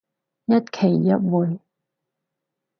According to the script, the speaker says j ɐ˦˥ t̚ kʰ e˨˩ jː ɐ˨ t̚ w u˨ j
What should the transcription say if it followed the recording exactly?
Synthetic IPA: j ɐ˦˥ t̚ kʰ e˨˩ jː ɐ˦˥ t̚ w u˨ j